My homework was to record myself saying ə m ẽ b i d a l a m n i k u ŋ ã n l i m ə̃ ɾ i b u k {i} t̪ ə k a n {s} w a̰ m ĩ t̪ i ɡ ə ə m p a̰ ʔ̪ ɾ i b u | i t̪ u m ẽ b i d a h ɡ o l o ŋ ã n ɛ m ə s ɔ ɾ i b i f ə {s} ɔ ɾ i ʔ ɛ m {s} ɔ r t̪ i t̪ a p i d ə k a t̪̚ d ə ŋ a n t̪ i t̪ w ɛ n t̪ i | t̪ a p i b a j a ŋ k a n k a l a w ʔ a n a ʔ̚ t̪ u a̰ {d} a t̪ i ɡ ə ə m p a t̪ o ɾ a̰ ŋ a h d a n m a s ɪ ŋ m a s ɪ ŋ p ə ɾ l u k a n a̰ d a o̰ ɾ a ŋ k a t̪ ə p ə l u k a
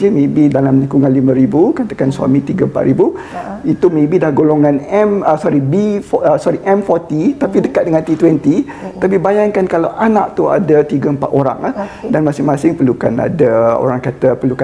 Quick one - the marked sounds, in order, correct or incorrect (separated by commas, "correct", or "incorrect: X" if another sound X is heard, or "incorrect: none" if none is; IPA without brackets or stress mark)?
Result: incorrect: a, correct, correct, incorrect: f, correct